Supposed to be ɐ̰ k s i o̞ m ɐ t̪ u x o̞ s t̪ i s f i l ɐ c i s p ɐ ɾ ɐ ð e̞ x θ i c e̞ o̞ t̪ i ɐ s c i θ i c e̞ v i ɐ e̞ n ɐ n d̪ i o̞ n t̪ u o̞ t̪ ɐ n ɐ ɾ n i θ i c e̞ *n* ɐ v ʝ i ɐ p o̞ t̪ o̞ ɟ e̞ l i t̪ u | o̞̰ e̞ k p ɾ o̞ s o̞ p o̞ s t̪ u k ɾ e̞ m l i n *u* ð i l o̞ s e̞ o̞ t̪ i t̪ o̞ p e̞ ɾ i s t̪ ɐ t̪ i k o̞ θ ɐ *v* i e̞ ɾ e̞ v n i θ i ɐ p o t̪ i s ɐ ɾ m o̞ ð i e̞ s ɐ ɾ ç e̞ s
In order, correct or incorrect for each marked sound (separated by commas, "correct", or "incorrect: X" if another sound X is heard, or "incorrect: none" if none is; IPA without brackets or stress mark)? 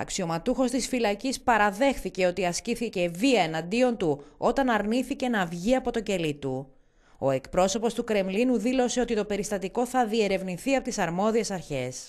correct, correct, incorrect: ð